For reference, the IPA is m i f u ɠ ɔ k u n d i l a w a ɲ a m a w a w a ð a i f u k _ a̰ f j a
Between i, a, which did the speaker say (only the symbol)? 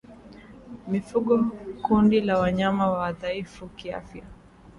i